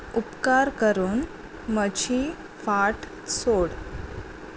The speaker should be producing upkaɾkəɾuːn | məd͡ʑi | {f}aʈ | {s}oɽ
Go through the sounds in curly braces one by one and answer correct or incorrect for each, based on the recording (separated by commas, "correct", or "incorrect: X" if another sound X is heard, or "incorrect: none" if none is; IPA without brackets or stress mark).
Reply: correct, correct